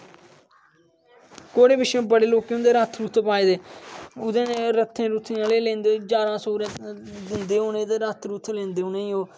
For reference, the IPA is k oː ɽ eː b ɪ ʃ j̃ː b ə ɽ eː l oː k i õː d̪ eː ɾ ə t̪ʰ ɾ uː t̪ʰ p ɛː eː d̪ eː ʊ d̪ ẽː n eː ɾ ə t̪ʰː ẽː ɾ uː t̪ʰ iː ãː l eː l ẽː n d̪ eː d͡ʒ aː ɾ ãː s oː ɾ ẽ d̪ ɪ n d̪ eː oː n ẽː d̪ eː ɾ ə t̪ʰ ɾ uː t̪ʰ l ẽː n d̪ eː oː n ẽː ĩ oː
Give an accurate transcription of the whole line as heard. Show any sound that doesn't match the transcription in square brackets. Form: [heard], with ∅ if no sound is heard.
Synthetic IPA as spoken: k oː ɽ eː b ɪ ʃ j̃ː b ə ɽ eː l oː k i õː d̪ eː ɾ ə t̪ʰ ɾ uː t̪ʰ p [aː] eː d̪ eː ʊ d̪ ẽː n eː ɾ ə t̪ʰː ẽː ɾ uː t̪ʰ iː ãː l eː l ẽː n d̪ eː d͡ʒ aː ɾ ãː s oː ɾ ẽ d̪ ɪ n d̪ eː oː n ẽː d̪ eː ɾ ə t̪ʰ ɾ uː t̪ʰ l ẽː n d̪ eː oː n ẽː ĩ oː